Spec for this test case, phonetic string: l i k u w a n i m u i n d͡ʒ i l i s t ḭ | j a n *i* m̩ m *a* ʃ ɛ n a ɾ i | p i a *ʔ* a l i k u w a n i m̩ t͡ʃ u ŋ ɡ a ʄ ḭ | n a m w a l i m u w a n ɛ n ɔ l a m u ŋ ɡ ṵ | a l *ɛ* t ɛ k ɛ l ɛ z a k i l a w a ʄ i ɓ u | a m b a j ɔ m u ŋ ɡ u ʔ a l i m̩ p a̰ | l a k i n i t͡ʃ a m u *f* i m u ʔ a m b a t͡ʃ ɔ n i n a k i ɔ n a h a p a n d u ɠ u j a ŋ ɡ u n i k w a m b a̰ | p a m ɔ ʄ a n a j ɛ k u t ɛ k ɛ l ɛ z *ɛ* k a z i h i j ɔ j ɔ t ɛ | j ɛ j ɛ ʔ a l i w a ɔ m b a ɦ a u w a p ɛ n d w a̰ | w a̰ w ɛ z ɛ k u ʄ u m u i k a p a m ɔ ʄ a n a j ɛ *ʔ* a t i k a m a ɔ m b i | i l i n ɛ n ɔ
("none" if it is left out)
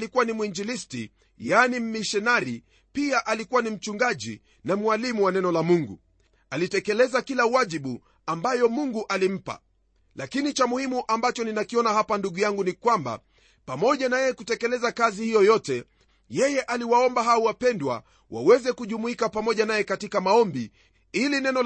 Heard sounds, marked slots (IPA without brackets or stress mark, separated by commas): i, i, ʔ, i, h, a, k